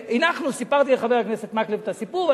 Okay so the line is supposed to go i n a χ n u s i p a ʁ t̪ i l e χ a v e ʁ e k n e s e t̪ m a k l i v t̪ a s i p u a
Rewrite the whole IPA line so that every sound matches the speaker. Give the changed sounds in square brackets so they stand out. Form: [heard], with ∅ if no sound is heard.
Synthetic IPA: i n a χ n u s i p a ʁ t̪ i l e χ a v e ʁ [a] k n e s e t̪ m a k l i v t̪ a s i p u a